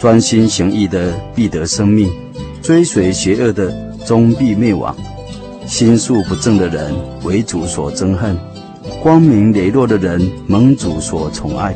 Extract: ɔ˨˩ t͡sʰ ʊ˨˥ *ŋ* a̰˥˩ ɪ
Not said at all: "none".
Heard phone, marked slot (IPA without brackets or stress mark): ŋ